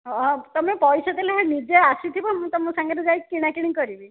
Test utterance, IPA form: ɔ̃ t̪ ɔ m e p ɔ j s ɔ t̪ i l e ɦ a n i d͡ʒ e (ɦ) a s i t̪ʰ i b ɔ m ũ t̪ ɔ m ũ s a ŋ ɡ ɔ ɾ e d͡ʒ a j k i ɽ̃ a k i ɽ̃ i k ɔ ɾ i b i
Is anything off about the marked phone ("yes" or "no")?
yes